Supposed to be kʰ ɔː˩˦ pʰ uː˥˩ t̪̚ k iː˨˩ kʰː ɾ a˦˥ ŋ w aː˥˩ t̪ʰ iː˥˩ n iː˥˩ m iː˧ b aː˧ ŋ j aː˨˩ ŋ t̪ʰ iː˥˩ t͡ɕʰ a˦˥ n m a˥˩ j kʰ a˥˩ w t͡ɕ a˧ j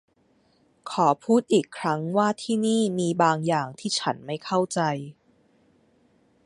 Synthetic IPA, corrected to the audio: kʰ ɔː˩˦ pʰ uː˥˩ t̪̚ ʔ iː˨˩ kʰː ɾ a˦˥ ŋ w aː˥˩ t̪ʰ iː˥˩ n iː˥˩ m iː˧ b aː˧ ŋ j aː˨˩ ŋ t̪ʰ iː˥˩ t͡ɕʰ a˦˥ n m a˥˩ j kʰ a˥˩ w t͡ɕ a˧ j